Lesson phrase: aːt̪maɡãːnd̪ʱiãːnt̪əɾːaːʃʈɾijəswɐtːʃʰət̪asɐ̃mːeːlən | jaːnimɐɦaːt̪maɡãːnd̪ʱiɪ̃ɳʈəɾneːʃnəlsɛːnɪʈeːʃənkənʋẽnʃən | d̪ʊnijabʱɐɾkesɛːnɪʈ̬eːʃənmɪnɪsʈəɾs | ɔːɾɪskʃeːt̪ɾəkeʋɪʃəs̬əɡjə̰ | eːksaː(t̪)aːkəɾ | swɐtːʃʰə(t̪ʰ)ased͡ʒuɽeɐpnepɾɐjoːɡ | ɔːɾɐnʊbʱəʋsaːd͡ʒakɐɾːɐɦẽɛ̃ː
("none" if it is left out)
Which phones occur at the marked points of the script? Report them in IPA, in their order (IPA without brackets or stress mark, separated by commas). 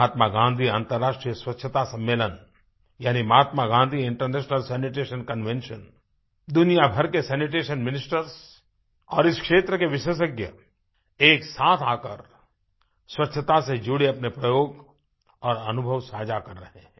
t̪ʰ, t̪